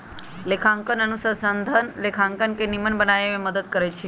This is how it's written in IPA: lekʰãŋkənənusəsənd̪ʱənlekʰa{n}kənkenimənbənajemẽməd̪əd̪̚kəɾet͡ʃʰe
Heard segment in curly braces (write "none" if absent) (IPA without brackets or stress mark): ŋ